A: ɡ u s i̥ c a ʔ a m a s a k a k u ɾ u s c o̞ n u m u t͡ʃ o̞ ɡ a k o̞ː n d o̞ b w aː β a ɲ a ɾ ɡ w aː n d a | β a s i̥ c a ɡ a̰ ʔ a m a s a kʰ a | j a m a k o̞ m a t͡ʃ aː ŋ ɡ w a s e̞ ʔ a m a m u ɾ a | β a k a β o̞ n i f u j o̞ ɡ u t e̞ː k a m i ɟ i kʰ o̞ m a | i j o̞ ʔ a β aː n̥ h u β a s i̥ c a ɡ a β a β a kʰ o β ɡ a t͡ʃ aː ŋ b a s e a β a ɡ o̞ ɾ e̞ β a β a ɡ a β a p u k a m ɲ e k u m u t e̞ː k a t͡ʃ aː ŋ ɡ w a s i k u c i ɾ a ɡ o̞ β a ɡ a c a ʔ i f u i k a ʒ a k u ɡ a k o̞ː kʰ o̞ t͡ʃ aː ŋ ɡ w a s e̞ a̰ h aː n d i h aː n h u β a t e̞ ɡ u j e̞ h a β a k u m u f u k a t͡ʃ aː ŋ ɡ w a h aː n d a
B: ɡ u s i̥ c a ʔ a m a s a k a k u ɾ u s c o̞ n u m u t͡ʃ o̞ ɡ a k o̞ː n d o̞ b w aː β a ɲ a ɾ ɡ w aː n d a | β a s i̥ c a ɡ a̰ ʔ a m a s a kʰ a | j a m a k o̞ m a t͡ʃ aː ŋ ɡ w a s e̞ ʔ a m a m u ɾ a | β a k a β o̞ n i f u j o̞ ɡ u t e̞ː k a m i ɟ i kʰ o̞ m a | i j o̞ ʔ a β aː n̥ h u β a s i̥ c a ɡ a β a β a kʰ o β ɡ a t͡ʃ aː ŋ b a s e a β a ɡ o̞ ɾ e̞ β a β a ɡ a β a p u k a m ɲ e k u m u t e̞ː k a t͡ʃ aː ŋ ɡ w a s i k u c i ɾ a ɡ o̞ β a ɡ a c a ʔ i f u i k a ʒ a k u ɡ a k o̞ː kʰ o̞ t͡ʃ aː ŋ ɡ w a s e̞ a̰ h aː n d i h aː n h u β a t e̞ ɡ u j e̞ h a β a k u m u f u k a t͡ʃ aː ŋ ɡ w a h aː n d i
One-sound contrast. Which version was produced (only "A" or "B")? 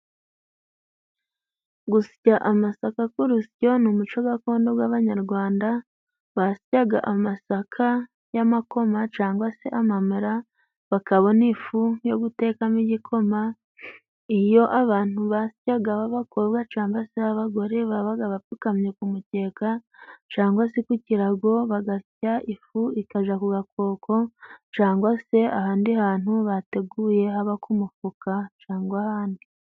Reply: B